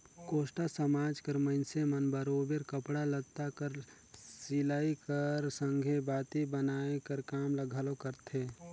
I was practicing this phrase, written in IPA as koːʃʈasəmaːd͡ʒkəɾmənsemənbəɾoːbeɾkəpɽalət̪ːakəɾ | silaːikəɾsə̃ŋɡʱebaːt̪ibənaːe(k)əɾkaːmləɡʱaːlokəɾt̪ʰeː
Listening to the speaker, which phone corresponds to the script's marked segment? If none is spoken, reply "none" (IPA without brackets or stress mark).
k